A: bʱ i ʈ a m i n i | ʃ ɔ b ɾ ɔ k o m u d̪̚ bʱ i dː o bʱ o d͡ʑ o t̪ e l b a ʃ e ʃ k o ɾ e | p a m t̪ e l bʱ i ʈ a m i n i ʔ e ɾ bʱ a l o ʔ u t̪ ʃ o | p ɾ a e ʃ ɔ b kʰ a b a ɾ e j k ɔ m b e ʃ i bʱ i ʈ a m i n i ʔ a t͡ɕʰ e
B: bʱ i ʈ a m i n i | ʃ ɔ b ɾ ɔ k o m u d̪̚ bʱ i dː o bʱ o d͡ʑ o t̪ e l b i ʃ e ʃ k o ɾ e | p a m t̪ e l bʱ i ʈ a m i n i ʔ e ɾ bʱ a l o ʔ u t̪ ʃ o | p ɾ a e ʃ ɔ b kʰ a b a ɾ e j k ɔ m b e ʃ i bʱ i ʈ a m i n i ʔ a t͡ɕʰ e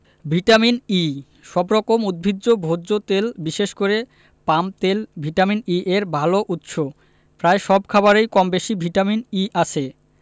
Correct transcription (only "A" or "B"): B